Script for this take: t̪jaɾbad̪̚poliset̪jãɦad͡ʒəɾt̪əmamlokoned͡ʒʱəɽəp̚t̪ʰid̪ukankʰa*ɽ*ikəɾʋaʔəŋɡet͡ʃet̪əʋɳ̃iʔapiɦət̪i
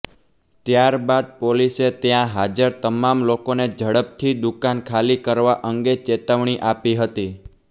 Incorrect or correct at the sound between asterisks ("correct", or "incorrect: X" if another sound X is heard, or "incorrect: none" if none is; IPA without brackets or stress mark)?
incorrect: l